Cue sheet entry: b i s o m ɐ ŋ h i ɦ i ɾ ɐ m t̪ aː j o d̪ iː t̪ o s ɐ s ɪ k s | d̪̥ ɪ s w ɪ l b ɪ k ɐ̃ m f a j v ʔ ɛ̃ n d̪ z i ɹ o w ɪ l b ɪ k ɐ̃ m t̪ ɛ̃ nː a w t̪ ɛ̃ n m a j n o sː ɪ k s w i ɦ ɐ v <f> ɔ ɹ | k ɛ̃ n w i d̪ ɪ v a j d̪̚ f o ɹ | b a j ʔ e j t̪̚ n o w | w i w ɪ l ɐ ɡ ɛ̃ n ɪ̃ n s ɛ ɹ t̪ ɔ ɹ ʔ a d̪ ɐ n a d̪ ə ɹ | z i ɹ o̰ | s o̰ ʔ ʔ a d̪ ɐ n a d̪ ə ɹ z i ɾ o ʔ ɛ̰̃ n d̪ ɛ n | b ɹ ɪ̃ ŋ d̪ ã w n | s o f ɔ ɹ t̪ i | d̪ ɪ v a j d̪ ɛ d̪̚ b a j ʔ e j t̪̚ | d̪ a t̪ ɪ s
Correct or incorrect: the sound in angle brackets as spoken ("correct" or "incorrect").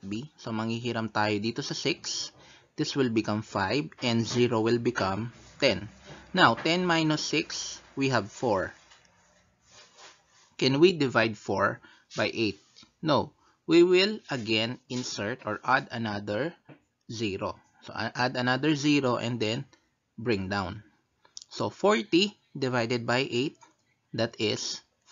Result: correct